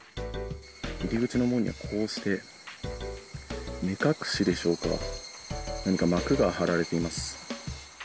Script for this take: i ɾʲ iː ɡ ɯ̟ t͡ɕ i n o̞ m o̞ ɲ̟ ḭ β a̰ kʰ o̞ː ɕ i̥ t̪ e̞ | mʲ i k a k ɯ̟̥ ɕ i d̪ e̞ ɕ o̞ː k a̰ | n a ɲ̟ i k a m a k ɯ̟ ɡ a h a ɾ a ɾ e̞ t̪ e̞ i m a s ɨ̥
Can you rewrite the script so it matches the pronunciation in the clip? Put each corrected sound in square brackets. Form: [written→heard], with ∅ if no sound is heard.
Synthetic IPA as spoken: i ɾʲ [iː→i] ɡ ɯ̟ t͡ɕ i n o̞ m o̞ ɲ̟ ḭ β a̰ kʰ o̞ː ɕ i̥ t̪ e̞ | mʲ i k a k ɯ̟̥ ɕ i d̪ e̞ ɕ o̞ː k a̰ | n a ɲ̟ i k a m a k ɯ̟ ɡ a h a ɾ a ɾ e̞ t̪ e̞ i m a s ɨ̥